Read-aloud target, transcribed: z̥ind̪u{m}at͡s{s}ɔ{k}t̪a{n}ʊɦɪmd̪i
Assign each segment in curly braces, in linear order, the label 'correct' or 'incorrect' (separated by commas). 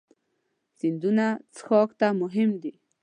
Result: incorrect, incorrect, correct, incorrect